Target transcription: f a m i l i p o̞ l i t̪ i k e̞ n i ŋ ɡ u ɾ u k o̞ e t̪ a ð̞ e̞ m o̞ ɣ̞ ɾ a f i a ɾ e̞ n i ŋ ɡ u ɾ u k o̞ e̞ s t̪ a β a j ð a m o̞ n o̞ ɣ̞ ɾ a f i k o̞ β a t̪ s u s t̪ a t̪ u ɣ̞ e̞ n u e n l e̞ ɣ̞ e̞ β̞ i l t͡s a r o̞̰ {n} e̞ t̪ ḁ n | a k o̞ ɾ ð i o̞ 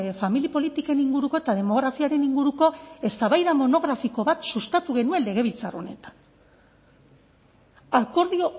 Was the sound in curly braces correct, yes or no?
yes